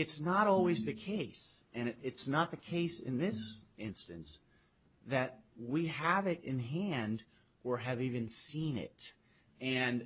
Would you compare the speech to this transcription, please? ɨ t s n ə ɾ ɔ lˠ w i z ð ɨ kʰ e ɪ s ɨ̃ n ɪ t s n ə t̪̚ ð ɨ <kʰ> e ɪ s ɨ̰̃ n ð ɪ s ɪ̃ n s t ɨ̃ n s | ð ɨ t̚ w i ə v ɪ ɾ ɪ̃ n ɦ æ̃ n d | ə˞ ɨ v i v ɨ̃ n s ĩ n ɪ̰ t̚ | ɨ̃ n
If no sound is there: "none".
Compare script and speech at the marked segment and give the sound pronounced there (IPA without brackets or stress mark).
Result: kʰ